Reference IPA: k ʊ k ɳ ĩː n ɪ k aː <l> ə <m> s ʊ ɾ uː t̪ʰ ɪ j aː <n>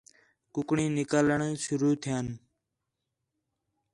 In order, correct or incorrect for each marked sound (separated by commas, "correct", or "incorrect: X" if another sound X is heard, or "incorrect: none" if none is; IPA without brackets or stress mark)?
correct, incorrect: ɳ, correct